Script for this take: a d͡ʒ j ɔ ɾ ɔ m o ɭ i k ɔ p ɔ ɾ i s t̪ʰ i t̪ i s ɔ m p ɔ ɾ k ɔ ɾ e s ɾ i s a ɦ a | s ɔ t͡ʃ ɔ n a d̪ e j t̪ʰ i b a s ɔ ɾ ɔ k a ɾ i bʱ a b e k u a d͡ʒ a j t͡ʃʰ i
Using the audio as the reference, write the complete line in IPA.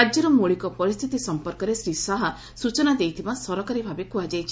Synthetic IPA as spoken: a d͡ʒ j ɔ ɾ ɔ m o ɭ i k ɔ p ɔ ɾ i s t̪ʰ i t̪ i s ɔ m p ɔ ɾ k ɔ ɾ e s ɾ i s a ɦ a | s u t͡ʃ ɔ n a d̪ e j t̪ʰ i b a s ɔ ɾ ɔ k a ɾ i bʱ a b e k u a d͡ʒ a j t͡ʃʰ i